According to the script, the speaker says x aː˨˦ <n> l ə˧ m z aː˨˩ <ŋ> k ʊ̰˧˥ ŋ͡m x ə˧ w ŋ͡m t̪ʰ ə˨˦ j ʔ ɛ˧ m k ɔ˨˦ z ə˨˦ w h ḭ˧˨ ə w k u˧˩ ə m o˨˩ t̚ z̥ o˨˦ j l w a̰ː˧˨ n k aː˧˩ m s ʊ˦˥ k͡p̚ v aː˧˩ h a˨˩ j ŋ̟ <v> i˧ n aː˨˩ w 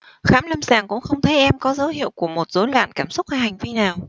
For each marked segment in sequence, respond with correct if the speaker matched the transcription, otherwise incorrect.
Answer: incorrect, correct, correct

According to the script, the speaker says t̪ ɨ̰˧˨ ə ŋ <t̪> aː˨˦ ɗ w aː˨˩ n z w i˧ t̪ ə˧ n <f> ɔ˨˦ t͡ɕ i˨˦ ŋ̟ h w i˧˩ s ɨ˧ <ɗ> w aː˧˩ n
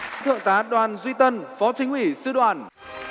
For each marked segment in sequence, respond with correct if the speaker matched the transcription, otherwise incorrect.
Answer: correct, correct, correct

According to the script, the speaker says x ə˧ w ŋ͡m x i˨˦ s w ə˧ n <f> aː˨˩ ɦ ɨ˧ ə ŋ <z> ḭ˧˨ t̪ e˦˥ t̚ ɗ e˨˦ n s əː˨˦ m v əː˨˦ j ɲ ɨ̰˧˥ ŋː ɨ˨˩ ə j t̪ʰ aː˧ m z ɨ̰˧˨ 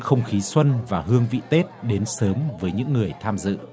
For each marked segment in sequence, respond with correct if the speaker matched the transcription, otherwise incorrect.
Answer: incorrect, incorrect

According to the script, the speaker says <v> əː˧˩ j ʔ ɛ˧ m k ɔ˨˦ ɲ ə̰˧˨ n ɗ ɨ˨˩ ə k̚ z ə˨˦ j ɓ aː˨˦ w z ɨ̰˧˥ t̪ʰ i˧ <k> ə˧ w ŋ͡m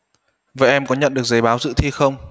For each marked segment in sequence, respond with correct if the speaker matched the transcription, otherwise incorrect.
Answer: correct, incorrect

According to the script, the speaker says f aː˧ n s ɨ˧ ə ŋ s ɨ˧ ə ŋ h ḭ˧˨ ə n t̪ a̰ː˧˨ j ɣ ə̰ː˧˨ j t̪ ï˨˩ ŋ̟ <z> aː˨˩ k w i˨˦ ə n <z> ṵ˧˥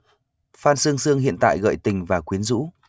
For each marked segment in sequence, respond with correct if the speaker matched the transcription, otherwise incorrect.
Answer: incorrect, correct

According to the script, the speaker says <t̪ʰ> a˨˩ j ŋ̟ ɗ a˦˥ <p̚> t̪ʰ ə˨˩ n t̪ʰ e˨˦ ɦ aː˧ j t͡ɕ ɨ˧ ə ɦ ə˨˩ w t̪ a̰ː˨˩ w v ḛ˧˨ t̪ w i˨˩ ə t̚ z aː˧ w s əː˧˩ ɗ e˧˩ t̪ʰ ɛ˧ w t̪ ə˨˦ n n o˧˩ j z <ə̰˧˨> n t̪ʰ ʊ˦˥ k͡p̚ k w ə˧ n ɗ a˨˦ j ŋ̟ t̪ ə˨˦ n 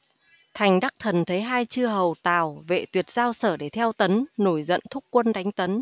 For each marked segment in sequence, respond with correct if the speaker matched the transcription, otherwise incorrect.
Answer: correct, incorrect, correct

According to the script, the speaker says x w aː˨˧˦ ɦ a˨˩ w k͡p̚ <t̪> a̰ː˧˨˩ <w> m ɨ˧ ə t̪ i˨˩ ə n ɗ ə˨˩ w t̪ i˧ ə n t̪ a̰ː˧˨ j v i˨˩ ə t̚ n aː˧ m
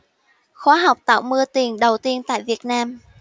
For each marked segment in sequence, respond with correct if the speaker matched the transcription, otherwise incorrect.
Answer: correct, correct

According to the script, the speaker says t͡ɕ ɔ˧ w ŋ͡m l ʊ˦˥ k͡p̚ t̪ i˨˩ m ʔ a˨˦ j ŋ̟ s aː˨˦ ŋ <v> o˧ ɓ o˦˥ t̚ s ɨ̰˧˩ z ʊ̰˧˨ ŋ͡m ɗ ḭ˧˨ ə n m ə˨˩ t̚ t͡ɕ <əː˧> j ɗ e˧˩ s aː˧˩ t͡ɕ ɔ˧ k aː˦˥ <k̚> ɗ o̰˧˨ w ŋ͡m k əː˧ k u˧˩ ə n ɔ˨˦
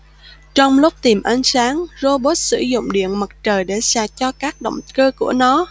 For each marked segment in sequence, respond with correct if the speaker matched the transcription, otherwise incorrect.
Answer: incorrect, incorrect, correct

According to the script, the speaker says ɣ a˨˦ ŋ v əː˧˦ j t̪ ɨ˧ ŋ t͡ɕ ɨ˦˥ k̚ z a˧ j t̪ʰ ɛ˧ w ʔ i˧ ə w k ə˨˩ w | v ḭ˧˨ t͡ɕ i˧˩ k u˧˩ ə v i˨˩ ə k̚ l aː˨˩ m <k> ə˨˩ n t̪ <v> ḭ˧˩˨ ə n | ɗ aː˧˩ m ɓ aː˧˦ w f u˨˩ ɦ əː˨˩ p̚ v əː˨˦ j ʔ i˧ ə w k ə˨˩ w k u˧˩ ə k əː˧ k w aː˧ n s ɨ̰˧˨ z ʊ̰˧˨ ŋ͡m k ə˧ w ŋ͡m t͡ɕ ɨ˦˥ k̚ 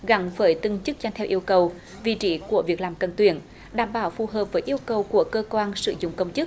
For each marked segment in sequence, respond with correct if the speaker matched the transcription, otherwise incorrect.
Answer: correct, incorrect

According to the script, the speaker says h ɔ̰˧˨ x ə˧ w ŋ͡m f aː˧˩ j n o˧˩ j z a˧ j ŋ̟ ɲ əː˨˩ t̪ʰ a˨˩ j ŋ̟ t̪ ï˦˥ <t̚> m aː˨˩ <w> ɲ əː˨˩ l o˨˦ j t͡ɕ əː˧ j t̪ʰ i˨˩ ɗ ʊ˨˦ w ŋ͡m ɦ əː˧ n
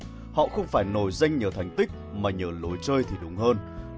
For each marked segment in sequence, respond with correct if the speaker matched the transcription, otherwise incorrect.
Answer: incorrect, incorrect

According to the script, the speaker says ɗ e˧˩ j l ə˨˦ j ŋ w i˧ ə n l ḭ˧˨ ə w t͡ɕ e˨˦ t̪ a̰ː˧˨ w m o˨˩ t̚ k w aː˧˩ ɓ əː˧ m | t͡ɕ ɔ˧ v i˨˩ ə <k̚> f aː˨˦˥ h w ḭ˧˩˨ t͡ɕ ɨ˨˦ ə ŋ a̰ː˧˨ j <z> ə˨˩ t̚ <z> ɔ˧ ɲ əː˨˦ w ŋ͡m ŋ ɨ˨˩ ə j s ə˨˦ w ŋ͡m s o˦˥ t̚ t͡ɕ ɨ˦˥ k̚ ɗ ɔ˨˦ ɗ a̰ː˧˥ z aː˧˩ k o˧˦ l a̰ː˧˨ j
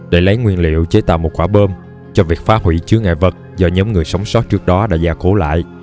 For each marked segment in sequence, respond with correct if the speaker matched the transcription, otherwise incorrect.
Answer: correct, incorrect, correct

